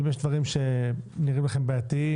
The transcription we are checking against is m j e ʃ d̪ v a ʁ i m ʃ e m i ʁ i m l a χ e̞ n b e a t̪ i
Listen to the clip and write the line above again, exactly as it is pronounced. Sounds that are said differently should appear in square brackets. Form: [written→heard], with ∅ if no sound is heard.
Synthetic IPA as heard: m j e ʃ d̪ v a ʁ i m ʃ e [m→n] i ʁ i m l a χ e̞ [n→m] b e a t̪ i